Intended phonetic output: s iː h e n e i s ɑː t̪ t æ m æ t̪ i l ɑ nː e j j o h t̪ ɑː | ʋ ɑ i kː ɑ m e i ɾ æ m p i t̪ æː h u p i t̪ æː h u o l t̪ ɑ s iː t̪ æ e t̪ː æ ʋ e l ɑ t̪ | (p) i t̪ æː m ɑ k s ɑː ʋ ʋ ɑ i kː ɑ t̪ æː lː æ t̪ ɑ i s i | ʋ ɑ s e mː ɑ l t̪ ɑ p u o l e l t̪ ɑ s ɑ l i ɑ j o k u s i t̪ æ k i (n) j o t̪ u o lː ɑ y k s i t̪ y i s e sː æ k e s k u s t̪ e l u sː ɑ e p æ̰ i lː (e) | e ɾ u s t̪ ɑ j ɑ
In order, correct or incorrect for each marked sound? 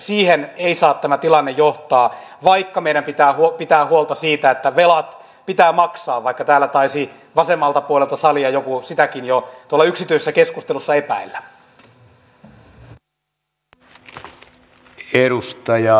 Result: correct, correct, incorrect: æ

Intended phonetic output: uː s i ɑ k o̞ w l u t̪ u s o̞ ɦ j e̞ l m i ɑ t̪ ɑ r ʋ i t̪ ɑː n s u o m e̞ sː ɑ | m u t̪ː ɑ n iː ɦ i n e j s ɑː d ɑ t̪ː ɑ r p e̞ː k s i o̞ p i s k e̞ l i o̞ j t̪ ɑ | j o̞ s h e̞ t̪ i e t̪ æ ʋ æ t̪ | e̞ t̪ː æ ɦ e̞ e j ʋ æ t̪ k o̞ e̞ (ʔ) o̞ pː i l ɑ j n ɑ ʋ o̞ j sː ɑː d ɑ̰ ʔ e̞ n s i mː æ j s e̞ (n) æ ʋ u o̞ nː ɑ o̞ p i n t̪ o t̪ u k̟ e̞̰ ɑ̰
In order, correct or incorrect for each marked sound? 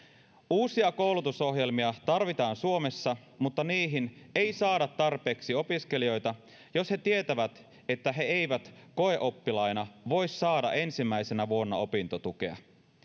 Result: correct, correct

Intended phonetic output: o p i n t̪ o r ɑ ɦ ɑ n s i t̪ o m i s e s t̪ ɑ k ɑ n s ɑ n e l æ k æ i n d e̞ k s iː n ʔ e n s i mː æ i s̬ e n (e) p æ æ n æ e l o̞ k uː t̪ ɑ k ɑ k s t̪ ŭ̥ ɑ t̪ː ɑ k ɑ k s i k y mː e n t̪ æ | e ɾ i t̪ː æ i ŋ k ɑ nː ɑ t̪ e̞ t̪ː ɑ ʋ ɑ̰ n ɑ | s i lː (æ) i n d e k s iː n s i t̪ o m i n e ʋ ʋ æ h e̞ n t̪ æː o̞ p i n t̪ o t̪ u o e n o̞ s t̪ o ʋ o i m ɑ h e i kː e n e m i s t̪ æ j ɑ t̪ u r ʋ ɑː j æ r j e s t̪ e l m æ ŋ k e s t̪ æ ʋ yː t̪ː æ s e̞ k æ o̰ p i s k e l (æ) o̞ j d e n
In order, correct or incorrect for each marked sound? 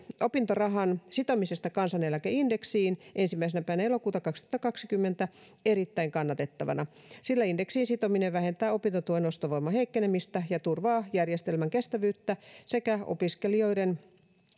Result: incorrect: æ, correct, incorrect: i

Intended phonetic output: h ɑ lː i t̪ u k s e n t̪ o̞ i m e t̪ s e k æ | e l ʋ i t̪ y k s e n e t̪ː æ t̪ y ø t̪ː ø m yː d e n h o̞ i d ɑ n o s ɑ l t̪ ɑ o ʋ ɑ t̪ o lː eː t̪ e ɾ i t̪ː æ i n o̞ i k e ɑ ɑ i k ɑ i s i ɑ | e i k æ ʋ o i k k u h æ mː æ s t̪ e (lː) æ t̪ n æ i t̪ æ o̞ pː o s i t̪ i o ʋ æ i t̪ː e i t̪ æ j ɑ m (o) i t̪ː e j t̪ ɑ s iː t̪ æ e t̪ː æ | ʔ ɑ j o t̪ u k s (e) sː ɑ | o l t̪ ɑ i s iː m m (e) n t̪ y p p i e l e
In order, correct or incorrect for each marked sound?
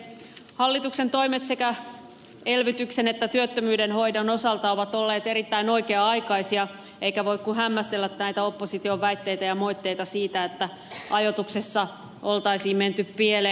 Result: correct, correct, correct, correct

